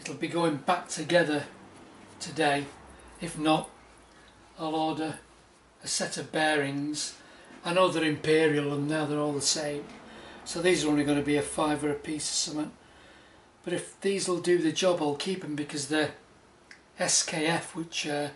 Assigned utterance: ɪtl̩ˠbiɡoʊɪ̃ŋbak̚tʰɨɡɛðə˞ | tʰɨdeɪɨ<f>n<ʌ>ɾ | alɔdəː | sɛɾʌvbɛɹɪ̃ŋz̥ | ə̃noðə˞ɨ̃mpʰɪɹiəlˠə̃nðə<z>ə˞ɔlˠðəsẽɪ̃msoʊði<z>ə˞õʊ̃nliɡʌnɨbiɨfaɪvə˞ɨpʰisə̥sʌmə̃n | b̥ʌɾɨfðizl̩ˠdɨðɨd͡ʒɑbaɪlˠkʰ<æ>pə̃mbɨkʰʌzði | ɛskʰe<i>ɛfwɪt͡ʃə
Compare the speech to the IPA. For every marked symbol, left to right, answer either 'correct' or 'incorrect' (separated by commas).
correct, incorrect, incorrect, correct, incorrect, incorrect